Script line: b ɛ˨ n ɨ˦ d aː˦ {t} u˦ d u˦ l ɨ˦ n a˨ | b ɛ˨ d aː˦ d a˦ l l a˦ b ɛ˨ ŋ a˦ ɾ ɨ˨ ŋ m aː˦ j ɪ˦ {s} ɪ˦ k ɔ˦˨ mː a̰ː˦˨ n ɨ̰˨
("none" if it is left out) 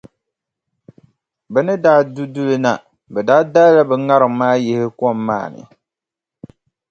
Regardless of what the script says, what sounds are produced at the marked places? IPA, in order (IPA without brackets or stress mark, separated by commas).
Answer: d, h